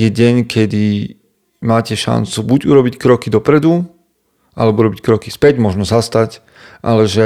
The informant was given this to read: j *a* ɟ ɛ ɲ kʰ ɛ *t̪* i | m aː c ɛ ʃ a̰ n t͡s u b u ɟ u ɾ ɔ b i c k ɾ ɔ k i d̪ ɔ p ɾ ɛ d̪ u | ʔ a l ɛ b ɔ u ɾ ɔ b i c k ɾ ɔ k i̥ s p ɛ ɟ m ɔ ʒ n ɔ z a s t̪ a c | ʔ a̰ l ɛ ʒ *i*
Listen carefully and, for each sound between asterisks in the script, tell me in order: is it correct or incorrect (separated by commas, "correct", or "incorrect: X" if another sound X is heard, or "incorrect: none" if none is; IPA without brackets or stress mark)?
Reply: incorrect: ɛ, incorrect: d̪, incorrect: ɛ